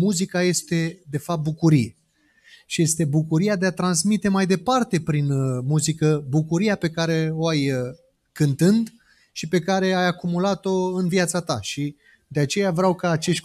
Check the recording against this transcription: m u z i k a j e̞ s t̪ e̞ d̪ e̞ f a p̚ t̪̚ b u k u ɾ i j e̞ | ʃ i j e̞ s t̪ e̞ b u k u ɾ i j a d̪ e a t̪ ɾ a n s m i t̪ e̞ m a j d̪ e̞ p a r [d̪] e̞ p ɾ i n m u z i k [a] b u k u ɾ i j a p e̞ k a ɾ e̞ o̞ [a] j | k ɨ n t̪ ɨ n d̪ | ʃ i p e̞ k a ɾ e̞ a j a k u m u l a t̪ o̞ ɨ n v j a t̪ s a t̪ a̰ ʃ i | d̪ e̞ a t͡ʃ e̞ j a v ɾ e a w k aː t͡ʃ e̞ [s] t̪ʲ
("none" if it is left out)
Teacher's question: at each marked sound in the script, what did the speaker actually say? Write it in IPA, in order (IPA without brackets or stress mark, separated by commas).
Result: t̪, ə, a, ʃ